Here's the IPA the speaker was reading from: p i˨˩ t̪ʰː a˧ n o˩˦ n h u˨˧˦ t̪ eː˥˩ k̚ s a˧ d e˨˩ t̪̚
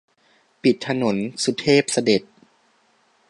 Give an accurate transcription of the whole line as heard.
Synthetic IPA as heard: p i˨˩ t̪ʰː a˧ n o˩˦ n s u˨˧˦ t̪ʰ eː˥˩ p̚ s a˧ d e˨˩ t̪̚